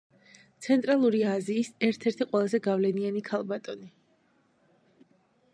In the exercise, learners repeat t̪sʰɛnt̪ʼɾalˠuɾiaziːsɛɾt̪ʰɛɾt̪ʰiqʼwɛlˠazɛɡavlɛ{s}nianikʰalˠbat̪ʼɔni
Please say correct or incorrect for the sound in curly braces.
incorrect: none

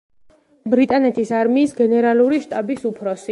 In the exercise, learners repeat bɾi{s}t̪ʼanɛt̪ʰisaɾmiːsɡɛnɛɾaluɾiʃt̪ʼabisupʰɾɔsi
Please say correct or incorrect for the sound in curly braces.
incorrect: none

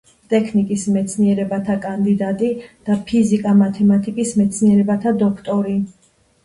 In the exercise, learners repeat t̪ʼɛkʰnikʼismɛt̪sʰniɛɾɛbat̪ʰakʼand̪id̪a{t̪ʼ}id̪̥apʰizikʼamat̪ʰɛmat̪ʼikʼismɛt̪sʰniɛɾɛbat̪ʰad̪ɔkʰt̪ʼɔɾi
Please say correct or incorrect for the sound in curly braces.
correct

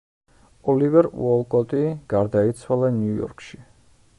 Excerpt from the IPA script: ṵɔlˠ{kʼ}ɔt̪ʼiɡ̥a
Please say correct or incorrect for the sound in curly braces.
correct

